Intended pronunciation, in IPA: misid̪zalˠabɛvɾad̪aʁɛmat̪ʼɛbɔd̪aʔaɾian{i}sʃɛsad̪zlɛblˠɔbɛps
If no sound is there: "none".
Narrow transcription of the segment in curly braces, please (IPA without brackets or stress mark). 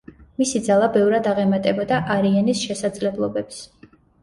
i